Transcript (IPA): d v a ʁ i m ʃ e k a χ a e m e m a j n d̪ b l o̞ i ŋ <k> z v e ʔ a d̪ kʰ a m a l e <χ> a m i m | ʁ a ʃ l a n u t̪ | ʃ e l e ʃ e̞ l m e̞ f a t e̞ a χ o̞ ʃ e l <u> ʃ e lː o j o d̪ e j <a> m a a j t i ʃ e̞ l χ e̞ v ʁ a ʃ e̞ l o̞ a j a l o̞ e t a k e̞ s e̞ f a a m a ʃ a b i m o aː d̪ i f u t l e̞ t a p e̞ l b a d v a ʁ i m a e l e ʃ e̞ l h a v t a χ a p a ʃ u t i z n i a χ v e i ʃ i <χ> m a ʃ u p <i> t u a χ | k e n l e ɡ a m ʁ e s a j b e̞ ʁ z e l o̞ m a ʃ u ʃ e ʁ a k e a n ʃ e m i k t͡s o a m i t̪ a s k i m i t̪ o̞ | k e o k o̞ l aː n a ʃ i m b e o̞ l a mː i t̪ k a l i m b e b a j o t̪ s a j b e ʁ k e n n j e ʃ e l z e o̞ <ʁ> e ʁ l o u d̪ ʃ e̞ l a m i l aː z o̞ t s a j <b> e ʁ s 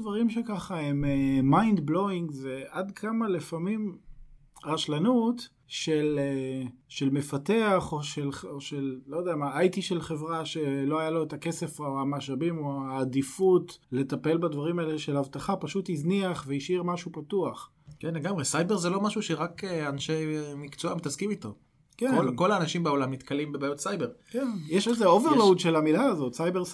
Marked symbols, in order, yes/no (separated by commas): no, no, no, yes, no, no, no, yes